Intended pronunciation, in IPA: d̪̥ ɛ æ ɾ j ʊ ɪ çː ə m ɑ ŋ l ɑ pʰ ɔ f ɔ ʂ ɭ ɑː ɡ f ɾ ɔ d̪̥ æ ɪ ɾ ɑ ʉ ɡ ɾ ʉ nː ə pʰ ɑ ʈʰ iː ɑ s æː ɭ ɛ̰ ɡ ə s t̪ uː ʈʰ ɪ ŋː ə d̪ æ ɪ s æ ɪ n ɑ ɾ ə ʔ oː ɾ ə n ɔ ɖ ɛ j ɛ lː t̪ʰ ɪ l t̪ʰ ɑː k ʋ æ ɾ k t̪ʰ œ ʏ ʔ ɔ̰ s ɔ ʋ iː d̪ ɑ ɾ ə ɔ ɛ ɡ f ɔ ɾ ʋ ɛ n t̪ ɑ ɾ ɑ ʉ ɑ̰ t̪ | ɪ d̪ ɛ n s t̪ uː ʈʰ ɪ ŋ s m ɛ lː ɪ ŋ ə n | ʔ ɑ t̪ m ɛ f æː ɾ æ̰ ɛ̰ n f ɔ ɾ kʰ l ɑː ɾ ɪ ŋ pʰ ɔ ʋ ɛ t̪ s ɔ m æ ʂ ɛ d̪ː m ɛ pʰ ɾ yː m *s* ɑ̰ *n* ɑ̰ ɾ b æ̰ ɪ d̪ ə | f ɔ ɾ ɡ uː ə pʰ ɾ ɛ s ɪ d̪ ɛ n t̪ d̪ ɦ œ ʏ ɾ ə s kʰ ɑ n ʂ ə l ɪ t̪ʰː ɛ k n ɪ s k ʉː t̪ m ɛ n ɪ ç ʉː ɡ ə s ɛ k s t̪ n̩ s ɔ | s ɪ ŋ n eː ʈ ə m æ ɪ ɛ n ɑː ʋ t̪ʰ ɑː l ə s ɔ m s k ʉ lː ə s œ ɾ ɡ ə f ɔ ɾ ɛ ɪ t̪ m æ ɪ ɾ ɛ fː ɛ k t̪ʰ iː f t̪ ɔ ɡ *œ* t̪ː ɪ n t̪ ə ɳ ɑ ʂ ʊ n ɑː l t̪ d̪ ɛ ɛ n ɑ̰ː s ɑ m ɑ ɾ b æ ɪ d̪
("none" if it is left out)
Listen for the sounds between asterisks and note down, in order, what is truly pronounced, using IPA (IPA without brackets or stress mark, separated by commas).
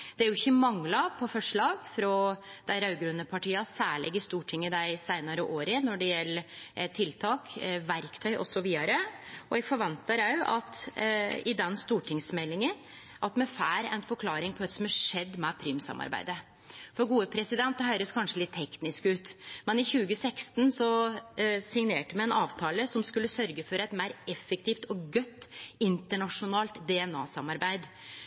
s, m, œ